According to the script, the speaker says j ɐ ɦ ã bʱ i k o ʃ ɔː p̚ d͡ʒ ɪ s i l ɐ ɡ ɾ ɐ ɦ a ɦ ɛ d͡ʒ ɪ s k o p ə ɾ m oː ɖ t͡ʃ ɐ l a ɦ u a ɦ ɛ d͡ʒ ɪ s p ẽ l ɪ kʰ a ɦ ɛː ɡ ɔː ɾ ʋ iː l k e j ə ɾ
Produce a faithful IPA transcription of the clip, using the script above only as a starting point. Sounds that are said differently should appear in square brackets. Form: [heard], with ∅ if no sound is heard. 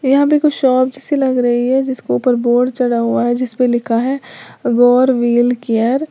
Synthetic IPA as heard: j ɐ ɦ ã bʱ i k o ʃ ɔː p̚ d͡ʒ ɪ s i l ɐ ɡ ɾ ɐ ɦ [i] ɦ ɛ d͡ʒ ɪ s k o p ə ɾ [b] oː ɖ t͡ʃ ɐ [ɽ] a ɦ u a ɦ ɛ d͡ʒ ɪ s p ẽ l ɪ kʰ a ɦ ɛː ɡ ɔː ɾ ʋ iː l k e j ə ɾ